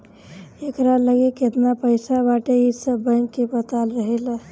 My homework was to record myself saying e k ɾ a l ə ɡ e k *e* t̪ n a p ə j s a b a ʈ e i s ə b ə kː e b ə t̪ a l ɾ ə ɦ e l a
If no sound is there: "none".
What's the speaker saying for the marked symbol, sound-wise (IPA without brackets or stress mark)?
e